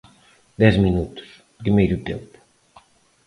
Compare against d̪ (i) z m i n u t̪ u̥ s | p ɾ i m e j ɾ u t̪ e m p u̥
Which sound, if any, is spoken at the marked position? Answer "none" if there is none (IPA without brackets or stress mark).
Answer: ɛ